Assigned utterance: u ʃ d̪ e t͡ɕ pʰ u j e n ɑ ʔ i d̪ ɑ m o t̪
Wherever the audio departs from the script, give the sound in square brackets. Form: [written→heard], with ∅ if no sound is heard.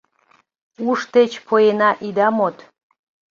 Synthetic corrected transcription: u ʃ [d̪→t̪] e t͡ɕ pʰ [u→o] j e n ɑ ʔ i d̪ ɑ m o t̪